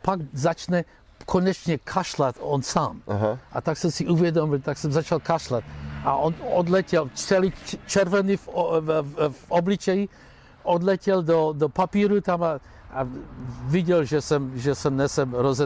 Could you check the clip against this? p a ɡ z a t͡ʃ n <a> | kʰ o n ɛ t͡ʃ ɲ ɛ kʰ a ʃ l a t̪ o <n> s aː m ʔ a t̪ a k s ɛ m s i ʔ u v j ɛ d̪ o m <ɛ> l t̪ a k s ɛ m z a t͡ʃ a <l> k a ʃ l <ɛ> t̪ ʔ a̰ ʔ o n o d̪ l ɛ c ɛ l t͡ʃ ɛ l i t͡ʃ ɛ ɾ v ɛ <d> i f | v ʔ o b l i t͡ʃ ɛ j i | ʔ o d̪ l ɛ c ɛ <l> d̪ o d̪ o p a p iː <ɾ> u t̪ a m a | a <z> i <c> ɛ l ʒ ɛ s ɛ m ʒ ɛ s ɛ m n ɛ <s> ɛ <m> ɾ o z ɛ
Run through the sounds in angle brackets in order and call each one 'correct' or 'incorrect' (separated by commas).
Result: incorrect, correct, incorrect, correct, incorrect, incorrect, correct, correct, incorrect, incorrect, correct, correct